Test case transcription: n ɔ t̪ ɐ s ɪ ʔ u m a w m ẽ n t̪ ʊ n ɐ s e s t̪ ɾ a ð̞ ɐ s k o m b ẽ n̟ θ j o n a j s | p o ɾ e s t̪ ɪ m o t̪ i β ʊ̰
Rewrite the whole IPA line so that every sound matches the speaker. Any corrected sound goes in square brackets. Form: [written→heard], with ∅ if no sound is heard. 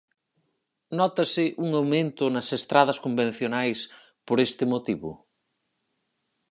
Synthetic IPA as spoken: n ɔ t̪ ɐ s ɪ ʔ u [m→ŋ] a w m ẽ n t̪ ʊ n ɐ s e s t̪ ɾ a ð̞ ɐ s k o m b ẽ n̟ θ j o n a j s | p o ɾ e s t̪ ɪ m o t̪ i β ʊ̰